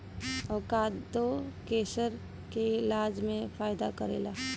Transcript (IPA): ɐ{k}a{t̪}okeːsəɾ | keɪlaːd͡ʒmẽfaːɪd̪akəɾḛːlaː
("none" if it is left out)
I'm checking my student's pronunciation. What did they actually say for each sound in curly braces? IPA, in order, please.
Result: k, d̪

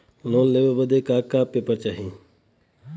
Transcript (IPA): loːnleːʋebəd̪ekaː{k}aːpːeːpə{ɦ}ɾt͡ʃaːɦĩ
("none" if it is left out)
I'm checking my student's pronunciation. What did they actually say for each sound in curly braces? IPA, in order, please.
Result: k, none

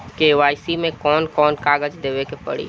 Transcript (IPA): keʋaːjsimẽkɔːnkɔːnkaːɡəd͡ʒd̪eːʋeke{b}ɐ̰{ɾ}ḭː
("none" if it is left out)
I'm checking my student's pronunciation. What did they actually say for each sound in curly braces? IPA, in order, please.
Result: p, ɽ

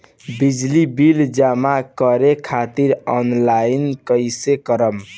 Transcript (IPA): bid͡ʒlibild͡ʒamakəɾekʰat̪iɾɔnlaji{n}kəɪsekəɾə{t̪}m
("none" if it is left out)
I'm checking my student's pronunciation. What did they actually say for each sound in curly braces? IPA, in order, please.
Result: n, none

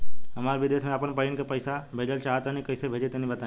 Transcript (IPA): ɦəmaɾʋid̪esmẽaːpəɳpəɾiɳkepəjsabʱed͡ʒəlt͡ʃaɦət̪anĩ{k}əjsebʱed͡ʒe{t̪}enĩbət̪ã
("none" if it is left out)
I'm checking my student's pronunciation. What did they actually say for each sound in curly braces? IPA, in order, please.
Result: k, t̪

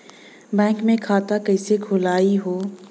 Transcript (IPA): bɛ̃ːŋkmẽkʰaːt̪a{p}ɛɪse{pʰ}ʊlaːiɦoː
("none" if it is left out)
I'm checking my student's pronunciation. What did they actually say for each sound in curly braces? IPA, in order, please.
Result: k, kʰ

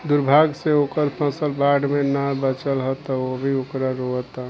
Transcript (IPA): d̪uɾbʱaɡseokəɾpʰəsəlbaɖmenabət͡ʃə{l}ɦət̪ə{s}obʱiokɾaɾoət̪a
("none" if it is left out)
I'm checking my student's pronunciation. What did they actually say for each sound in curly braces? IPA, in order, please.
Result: l, none

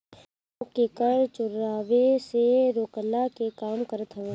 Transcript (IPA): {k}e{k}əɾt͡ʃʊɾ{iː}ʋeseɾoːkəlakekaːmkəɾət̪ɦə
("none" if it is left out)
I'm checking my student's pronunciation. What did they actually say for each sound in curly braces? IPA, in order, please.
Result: k, k, aː

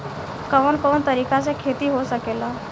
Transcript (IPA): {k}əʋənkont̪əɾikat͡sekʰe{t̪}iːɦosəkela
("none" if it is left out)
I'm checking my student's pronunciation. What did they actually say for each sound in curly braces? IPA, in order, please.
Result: k, t̪

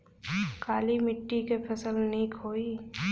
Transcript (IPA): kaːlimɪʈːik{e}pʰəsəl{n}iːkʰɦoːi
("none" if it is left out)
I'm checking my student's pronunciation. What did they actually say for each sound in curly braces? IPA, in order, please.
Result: e, n

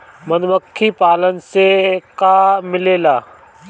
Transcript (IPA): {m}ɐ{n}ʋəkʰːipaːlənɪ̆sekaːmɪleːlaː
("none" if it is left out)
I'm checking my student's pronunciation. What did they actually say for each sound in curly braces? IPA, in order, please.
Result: m, n

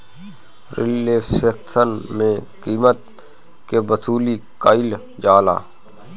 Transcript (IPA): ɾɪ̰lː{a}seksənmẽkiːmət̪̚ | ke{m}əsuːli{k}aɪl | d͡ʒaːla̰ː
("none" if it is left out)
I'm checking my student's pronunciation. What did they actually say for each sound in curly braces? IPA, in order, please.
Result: e, b, k

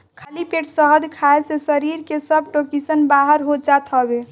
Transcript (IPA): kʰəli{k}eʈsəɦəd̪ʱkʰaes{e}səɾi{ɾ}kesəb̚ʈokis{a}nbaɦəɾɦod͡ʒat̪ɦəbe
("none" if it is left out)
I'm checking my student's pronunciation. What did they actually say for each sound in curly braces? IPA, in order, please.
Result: p, e, ɾ, ə

